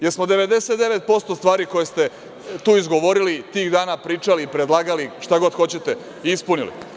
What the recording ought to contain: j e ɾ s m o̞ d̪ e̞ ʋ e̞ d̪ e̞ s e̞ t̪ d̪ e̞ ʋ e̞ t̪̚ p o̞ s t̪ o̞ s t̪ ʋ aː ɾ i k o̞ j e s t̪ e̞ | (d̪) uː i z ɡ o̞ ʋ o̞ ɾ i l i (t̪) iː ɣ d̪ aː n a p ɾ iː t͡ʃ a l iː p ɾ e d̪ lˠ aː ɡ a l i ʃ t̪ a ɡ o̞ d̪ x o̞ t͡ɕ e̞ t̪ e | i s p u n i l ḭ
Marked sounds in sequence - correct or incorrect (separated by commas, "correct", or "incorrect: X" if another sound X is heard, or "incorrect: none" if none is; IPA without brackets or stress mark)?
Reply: incorrect: t̪, correct